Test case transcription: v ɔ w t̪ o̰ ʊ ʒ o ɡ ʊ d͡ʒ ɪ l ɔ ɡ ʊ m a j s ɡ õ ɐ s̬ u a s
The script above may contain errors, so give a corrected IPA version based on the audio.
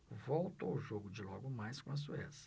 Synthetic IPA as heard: v o w t̪ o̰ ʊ ʒ o ɡ ʊ d͡ʒ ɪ l ɔ ɡ ʊ m a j s k õ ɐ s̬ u ɛ s